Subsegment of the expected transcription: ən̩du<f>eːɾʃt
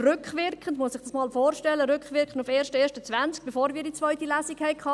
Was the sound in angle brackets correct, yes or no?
yes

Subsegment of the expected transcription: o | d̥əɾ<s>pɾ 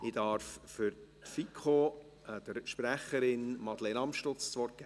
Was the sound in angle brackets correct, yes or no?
no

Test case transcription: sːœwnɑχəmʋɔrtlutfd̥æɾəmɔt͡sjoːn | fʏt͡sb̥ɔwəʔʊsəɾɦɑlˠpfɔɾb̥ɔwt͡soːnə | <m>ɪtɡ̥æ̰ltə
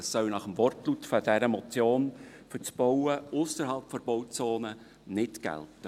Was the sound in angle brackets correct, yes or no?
no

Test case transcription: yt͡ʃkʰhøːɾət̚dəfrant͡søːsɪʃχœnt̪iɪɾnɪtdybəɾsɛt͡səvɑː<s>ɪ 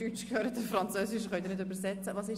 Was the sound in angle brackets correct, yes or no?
yes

